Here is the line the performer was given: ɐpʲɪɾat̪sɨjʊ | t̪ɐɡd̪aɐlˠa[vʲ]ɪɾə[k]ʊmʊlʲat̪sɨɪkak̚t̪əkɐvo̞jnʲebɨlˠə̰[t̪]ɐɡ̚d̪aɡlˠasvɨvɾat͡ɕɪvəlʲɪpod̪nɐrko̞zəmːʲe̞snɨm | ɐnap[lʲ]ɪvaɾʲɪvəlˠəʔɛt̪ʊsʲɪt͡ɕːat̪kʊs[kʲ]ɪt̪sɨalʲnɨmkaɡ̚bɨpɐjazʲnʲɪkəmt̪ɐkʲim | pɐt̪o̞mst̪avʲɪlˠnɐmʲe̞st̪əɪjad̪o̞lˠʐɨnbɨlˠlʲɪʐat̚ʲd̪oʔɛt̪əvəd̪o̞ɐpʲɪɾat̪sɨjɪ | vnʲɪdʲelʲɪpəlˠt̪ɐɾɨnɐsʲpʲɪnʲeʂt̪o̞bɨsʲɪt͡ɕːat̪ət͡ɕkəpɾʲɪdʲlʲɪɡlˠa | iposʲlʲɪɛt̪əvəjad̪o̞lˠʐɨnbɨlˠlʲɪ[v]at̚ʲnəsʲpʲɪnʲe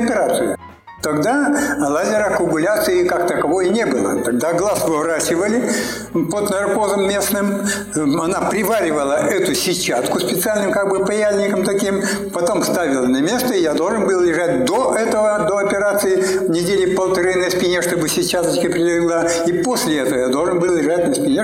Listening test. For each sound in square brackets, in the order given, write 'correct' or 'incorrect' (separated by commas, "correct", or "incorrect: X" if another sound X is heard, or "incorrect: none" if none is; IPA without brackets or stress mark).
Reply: incorrect: zʲ, correct, correct, incorrect: ɾʲ, incorrect: pʲ, incorrect: ʐ